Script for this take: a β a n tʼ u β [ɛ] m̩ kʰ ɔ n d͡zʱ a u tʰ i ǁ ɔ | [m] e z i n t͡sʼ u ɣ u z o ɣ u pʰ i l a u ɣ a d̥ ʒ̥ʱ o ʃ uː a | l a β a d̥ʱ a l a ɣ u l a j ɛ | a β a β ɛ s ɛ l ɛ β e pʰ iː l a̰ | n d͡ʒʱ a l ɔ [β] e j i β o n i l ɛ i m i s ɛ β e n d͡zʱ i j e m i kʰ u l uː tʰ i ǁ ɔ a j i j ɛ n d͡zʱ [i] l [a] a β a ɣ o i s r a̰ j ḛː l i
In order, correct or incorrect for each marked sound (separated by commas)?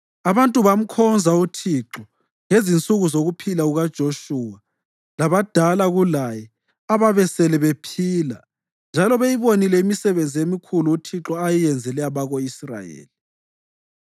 incorrect, incorrect, correct, incorrect, incorrect